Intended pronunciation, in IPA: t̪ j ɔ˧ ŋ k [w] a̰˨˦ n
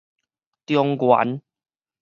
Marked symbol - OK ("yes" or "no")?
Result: yes